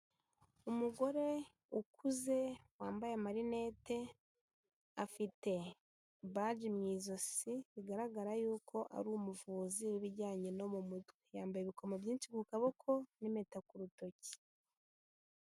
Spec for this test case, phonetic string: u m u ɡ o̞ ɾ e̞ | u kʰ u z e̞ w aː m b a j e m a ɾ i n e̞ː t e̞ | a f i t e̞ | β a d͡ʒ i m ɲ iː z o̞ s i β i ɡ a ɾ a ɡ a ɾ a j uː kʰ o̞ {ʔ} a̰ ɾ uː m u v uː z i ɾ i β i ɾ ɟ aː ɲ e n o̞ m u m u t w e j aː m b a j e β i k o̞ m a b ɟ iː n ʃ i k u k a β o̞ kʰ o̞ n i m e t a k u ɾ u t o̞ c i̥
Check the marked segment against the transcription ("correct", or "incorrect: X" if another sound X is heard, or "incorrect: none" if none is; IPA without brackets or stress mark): correct